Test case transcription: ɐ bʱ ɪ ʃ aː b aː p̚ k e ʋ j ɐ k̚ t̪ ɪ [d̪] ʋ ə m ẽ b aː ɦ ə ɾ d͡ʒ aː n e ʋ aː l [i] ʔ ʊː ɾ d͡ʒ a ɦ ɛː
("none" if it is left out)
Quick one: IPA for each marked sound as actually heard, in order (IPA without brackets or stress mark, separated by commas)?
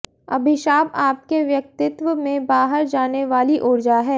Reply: t̪, i